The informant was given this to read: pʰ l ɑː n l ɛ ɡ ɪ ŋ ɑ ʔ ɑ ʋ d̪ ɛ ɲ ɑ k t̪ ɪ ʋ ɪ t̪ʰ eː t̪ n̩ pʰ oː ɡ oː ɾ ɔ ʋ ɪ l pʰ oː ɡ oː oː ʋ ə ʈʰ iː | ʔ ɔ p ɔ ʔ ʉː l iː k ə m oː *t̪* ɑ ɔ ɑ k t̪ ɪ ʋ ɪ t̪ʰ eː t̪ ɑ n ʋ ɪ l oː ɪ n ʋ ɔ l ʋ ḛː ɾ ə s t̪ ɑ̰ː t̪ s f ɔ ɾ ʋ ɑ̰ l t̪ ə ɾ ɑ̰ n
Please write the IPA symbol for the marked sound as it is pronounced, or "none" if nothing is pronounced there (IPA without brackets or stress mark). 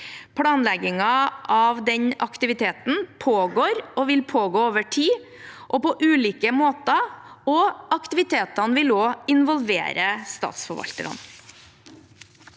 t̪